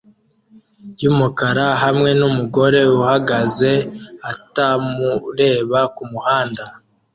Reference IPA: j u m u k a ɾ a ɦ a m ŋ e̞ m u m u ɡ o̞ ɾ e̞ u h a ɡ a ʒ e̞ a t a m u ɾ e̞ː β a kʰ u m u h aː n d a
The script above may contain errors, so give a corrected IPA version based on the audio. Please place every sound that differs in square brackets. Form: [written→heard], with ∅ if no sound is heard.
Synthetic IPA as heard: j u m u k a ɾ a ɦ a m ŋ e̞ [m→n] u m u ɡ o̞ ɾ e̞ u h a ɡ a [ʒ→z] e̞ a t a m u ɾ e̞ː β a [kʰ→k] u m u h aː n d a